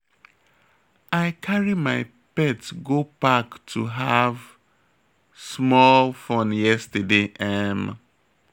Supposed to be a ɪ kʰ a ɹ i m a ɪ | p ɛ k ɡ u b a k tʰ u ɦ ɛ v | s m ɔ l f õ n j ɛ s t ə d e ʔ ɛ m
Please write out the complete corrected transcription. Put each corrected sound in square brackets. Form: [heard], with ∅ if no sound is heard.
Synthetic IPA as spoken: a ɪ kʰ a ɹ i m a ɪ | p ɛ [t] ɡ [o] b a k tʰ u ɦ [a] v | s m ɔ l f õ n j ɛ s t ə d e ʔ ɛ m